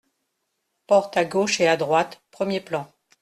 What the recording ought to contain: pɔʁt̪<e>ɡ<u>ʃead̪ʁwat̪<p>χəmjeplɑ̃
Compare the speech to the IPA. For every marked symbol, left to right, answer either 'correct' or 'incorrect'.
incorrect: a, incorrect: o, correct

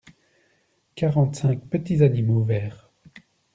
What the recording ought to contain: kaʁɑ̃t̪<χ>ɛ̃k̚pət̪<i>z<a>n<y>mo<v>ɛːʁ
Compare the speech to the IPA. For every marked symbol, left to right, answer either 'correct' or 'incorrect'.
incorrect: s, correct, correct, incorrect: i, correct

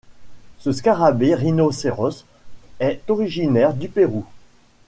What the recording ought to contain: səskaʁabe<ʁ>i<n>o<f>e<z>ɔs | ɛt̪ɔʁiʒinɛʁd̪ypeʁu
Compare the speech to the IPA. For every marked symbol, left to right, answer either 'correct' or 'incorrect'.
correct, correct, incorrect: s, incorrect: ʁ

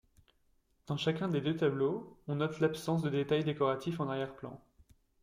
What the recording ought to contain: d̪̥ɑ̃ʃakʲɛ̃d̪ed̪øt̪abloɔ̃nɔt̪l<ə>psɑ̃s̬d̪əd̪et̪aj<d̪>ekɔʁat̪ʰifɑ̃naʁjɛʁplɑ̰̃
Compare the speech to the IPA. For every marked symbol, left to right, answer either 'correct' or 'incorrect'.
incorrect: a, correct

